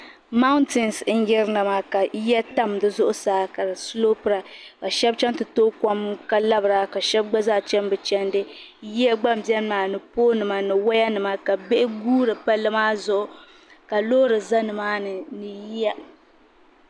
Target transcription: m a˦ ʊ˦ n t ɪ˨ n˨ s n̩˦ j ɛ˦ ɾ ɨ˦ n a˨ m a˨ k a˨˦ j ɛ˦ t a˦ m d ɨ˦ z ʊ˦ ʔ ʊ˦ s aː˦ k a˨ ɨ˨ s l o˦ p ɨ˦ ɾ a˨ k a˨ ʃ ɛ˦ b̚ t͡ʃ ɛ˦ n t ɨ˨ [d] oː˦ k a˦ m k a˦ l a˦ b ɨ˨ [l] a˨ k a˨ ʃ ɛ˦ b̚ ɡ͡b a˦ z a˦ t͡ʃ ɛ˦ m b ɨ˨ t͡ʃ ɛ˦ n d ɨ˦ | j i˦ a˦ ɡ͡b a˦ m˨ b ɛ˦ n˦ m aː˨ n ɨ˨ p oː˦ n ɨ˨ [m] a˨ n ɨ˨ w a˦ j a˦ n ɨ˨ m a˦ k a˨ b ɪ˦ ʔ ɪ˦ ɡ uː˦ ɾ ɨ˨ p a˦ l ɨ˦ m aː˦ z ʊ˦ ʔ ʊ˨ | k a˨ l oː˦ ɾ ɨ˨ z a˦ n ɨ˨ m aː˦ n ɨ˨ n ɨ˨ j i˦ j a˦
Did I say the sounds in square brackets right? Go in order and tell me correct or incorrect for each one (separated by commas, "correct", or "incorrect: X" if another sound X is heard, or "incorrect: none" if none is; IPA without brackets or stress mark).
incorrect: t, incorrect: ɾ, correct